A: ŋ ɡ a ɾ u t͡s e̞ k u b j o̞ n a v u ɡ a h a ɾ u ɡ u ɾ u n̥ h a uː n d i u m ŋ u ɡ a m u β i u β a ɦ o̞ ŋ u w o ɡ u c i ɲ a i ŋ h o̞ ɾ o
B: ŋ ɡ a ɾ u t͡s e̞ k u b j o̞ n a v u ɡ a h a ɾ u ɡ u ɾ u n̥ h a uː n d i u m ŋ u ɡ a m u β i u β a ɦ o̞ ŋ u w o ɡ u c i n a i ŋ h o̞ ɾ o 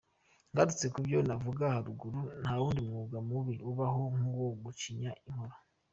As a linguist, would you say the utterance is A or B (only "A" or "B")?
A